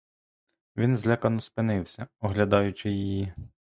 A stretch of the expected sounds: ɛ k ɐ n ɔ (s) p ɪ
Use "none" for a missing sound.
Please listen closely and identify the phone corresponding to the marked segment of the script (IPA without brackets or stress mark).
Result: s